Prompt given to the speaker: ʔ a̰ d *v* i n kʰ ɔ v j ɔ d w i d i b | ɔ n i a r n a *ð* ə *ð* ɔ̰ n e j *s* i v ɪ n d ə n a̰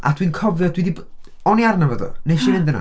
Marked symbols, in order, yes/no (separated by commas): no, no, yes, no